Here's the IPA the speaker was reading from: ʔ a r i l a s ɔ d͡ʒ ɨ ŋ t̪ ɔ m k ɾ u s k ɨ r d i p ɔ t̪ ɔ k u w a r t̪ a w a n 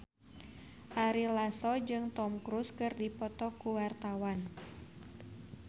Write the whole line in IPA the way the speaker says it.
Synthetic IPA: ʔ a ɾ i l a s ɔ d͡ʒ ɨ ŋ t̪ ɔ m k ɾ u s k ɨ r d i p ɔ t̪ ɔ k u w a r t̪ a w a n